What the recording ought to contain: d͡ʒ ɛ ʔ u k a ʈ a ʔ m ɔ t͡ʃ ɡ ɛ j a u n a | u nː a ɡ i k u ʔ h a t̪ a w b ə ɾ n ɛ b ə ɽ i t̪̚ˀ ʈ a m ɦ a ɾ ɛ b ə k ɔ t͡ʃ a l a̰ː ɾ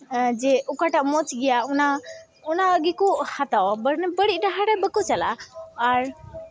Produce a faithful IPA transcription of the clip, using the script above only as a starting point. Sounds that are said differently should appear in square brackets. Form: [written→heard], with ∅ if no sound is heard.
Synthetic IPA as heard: d͡ʒ ɛ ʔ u k a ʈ a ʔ m ɔ t͡ʃ ɡ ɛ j a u n a | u [nː→n] a ɡ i k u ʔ h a t̪ a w b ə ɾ n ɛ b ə ɽ i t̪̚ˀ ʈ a [m→∅] ɦ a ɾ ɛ b ə k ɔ t͡ʃ a l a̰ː ɾ